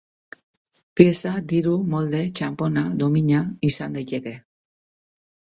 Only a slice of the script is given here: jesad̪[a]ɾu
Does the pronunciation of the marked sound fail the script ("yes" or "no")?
yes